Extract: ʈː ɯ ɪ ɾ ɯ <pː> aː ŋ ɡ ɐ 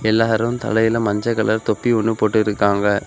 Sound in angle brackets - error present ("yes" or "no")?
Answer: yes